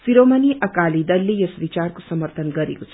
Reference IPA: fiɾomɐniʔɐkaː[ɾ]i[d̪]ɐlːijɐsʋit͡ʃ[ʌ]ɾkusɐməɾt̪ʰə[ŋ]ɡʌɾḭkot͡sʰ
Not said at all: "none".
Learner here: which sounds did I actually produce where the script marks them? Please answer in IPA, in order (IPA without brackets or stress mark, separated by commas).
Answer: l, d̪, a, n